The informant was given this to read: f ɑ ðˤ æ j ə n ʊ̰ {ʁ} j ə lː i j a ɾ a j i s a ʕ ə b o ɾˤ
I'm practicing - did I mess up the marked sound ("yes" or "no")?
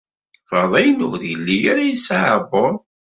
yes